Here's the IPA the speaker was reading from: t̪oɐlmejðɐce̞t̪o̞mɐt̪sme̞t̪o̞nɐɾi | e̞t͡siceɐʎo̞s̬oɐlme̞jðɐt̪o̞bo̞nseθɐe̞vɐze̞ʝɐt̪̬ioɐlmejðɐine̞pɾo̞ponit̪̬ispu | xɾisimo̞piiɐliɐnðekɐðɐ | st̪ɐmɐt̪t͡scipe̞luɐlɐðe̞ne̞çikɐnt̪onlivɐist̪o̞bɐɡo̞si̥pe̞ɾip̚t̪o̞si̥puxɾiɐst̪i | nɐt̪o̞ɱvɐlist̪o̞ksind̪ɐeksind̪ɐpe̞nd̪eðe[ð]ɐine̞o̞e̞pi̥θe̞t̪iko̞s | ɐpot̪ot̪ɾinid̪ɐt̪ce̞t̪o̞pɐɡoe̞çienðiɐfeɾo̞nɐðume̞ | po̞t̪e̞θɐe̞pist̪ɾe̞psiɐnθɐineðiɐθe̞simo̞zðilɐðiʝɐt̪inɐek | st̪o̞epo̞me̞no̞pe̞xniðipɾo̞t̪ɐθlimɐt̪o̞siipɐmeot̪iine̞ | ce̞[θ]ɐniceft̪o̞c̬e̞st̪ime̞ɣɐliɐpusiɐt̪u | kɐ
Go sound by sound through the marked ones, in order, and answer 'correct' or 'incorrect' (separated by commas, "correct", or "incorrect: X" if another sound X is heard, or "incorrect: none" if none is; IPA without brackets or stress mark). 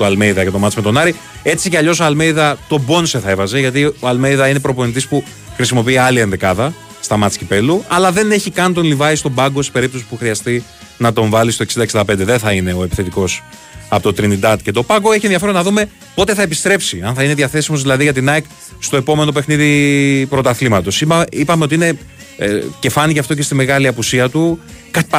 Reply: incorrect: θ, incorrect: f